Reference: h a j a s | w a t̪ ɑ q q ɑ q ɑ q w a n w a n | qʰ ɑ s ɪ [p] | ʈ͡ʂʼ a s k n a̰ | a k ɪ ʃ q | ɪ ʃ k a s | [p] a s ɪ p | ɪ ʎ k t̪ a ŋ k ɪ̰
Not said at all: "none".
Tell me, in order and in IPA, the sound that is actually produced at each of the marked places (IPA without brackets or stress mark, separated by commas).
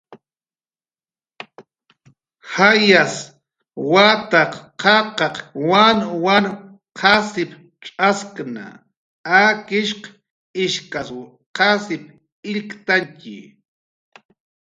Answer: p, q